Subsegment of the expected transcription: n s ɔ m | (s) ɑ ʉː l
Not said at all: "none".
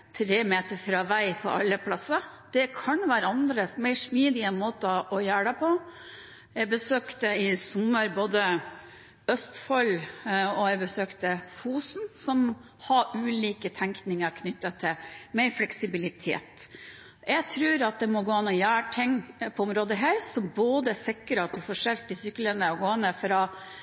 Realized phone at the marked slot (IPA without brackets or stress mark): h